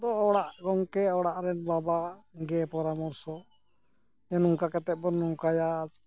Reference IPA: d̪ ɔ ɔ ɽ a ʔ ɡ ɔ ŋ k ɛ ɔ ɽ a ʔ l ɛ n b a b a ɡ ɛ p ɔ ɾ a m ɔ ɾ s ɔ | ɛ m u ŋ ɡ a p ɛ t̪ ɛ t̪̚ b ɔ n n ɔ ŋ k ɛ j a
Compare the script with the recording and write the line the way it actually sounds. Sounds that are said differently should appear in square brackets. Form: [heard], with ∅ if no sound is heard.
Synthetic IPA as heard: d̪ ɔ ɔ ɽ a ʔ ɡ ɔ ŋ k ɛ ɔ ɽ a ʔ [ɾ] ɛ n b a b a ɡ ɛ p ɔ ɾ a m ɔ ɾ s ɔ | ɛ [n] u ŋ [k] a [k] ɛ t̪ ɛ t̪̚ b ɔ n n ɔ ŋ k [a] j a